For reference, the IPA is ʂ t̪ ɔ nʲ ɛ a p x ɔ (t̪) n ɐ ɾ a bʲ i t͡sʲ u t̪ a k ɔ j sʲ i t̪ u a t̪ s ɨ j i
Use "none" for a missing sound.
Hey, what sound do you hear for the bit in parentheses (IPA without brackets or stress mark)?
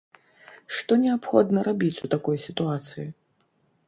d̪